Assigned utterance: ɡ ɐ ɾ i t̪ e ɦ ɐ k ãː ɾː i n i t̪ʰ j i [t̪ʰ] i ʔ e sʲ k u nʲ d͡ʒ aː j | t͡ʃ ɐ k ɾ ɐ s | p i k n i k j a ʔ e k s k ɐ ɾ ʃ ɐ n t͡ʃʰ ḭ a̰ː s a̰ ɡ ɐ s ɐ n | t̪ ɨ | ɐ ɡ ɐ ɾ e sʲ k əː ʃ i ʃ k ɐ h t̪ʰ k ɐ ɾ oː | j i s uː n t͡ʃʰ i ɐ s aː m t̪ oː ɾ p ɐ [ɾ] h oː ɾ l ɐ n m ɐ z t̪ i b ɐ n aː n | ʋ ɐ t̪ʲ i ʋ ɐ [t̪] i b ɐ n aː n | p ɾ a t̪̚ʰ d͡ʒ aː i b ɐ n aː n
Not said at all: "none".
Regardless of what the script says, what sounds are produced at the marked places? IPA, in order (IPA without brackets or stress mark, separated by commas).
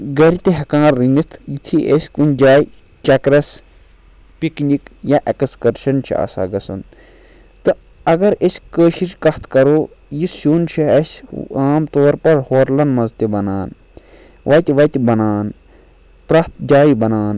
t̪ʰ, ɾ, t̪